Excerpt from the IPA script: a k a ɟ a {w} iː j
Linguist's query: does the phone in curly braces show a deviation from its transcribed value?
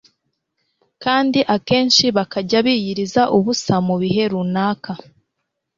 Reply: yes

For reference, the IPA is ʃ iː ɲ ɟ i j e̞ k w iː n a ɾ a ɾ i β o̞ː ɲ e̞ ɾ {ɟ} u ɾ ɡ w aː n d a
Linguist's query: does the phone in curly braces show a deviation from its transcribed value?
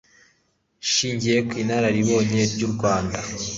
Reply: no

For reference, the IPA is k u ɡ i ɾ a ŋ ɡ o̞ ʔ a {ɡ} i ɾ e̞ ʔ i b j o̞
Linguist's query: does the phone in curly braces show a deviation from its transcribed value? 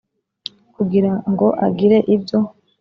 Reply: no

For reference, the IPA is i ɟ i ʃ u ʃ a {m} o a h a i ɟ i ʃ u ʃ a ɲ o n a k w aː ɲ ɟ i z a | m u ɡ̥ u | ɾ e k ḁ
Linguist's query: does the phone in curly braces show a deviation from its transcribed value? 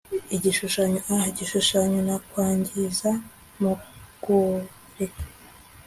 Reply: yes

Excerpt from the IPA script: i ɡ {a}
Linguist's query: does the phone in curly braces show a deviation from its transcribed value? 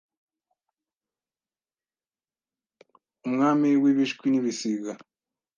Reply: no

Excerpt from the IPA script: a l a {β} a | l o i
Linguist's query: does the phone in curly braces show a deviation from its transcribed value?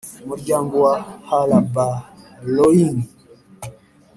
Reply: yes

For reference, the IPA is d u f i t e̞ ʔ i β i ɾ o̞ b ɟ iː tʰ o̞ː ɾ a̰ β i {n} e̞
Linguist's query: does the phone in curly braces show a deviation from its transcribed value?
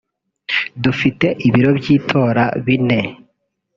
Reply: no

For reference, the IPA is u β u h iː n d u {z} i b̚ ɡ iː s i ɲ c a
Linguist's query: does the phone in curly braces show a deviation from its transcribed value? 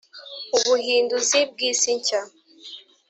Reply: no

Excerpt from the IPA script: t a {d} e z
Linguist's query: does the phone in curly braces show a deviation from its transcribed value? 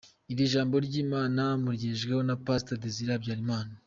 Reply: no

